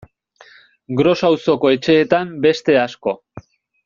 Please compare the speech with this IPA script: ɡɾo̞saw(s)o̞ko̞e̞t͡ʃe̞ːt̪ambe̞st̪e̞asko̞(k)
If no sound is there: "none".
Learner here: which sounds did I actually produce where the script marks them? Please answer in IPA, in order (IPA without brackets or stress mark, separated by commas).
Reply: s, none